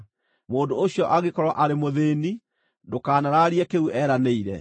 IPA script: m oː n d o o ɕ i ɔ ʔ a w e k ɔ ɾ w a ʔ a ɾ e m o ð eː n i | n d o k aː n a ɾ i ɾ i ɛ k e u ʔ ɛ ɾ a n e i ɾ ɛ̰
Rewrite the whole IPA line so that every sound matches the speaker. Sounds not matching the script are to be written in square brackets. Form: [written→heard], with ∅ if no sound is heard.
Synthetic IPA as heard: m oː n d o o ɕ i ɔ ʔ a [w→ɣ] e k ɔ ɾ w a ʔ a ɾ e m o ð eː n i | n d o k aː n a ɾ [i→a] ɾ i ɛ k e u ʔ ɛ ɾ a n e i ɾ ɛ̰

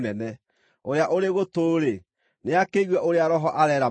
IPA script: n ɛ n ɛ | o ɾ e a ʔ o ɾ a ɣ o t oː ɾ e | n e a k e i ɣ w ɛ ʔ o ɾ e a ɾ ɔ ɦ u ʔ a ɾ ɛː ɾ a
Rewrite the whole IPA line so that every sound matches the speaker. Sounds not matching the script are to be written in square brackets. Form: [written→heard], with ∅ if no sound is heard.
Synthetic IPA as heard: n ɛ n ɛ | o ɾ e a ʔ o ɾ [a→e] ɣ o t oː ɾ e | n e a k e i ɣ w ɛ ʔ o ɾ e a ɾ ɔ ɦ [u→ɔ] ʔ a ɾ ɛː ɾ a

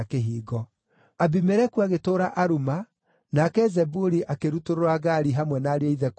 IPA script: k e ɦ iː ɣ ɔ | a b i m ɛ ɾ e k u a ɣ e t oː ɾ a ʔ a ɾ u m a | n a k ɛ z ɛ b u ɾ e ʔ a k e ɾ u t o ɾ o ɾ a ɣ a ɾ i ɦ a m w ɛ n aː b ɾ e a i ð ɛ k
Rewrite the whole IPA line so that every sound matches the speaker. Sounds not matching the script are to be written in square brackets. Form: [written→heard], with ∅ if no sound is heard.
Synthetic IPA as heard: k e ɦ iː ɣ ɔ | a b i m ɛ ɾ [e→ɛ] k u a ɣ e t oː ɾ a ʔ a ɾ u m a | n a k ɛ z ɛ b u ɾ [e→i] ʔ a k e ɾ u t o ɾ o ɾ a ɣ a ɾ i ɦ a m w ɛ n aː [b→∅] ɾ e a i ð ɛ k

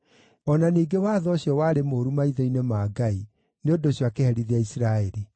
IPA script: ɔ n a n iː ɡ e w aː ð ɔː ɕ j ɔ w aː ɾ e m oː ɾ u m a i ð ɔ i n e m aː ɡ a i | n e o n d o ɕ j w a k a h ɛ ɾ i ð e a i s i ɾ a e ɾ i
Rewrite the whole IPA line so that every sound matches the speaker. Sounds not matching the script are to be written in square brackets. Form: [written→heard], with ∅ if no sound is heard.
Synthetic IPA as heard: ɔ n a n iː ɡ e w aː ð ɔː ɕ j ɔ w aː ɾ e m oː ɾ u m a i ð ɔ i n e m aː ɡ a i | n e o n d o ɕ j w a k [a→e] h ɛ ɾ i ð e a i s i ɾ a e ɾ i

